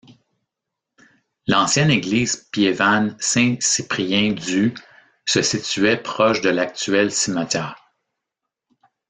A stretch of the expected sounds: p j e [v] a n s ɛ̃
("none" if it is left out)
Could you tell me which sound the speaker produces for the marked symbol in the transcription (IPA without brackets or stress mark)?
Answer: v